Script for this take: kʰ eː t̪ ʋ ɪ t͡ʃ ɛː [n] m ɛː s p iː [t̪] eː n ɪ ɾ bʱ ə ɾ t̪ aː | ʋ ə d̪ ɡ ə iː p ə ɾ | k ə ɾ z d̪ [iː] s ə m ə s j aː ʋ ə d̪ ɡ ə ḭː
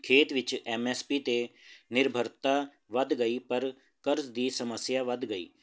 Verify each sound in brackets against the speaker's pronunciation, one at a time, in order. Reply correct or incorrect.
incorrect: none, correct, correct

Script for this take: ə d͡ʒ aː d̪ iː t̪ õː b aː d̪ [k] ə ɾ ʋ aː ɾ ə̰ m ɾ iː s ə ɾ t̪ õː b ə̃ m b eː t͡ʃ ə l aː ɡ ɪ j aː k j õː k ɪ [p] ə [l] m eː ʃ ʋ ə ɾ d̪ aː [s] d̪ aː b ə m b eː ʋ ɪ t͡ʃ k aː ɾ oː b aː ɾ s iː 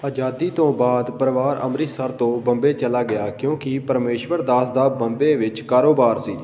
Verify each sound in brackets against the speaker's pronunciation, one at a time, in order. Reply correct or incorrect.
incorrect: p, correct, incorrect: ɾ, correct

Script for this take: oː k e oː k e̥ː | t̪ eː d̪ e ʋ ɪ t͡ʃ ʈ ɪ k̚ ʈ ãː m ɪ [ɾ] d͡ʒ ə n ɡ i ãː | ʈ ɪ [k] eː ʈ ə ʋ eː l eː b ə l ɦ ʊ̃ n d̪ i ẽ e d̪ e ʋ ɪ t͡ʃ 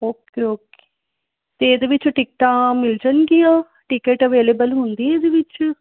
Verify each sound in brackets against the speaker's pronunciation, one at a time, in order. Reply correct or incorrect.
incorrect: l, correct

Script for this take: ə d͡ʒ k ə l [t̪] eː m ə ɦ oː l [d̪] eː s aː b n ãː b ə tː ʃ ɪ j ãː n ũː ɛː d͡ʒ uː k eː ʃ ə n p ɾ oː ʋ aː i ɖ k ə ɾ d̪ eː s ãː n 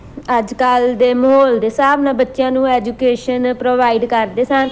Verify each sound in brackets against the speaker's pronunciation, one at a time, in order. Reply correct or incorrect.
incorrect: d̪, correct

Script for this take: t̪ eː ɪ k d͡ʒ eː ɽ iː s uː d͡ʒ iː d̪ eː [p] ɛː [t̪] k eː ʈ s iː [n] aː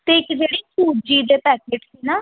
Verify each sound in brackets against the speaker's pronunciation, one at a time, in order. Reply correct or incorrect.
correct, incorrect: none, correct

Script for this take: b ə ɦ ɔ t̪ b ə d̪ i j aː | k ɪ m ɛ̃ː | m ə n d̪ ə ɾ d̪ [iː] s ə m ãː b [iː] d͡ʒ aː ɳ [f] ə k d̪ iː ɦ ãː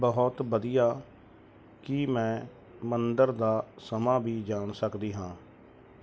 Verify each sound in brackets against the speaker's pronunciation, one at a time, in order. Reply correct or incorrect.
incorrect: aː, correct, incorrect: s

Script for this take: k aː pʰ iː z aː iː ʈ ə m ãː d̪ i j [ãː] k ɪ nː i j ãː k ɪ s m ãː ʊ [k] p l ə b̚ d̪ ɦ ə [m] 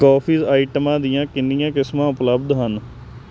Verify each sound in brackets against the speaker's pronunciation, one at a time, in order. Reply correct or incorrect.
correct, incorrect: none, incorrect: n

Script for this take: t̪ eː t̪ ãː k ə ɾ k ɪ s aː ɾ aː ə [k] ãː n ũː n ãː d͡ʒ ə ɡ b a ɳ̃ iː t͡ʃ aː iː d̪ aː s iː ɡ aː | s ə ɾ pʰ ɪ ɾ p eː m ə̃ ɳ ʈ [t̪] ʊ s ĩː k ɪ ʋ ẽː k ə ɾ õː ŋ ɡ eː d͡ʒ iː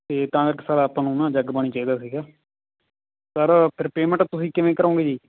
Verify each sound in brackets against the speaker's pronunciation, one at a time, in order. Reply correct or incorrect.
incorrect: p, correct

